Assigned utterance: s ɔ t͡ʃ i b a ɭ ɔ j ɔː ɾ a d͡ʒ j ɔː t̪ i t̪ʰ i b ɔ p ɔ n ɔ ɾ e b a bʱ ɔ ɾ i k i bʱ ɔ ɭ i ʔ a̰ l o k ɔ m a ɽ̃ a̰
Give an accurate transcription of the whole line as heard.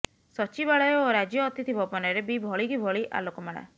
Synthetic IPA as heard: s ɔ t͡ʃ i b a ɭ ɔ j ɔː ɾ a d͡ʒ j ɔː t̪ i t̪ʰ i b ɔ p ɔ n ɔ ɾ e b i bʱ ɔ ɭ i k i bʱ ɔ ɭ i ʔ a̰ l o k ɔ m a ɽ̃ a̰

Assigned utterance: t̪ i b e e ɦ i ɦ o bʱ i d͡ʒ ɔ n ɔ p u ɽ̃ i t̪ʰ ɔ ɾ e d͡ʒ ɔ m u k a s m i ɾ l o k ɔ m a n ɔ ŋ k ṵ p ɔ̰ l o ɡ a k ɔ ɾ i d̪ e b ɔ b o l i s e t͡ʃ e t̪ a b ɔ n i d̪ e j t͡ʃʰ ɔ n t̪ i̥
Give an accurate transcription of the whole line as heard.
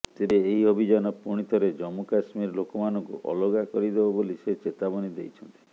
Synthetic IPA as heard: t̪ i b e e ɦ i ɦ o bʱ i d͡ʒ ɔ n ɔ p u ɽ̃ i t̪ʰ ɔ ɾ e d͡ʒ ɔ m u k a s m i ɾ l o k ɔ m a n ɔ ŋ k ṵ ʔ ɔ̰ l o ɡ a k ɔ ɾ i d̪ e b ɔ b o l i s e t͡ʃ e t̪ a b ɔ n i d̪ e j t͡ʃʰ ɔ n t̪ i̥

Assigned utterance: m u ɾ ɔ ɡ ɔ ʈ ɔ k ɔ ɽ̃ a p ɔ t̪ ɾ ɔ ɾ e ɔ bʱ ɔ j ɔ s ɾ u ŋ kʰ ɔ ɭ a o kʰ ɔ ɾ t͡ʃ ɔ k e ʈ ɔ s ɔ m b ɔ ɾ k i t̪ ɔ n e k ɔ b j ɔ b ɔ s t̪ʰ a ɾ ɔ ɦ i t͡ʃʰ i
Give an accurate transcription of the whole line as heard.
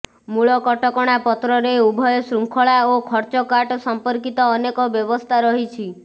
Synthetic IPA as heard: m u ɭ ɔ k ɔ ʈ ɔ k ɔ ɽ̃ a p ɔ t̪ ɾ ɔ ɾ e u bʱ ɔ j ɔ s ɾ u ŋ kʰ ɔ ɭ a o kʰ ɔ ɾ t͡ʃ ɔ k a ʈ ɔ s ɔ m p ɔ ɾ k i t̪ ɔː n e k ɔ b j ɔ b ɔ s t̪ʰ a ɾ ɔ ɦ i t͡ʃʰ i

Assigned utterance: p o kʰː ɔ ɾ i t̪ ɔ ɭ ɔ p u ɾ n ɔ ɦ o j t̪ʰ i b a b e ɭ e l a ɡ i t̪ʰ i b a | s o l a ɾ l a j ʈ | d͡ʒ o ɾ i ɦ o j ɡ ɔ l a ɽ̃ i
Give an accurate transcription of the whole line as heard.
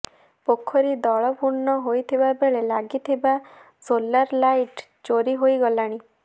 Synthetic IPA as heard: p o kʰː ɔ ɾ i d̪ ɔ ɭ ɔ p u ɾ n ɔ ɦ o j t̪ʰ i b a b e ɭ e l a ɡ i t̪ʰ i b a | s o l a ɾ l a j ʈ | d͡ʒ o ɾ i ɦ o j ɡ ɔ l a ɽ̃ i

